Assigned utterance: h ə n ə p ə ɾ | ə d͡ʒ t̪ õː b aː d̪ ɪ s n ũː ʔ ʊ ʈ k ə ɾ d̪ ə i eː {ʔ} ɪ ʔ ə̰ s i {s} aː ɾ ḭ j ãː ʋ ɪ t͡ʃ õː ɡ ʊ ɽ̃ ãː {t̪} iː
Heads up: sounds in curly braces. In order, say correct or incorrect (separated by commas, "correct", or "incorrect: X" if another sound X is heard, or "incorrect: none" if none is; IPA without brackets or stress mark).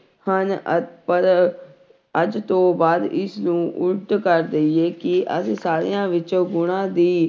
incorrect: k, correct, incorrect: d̪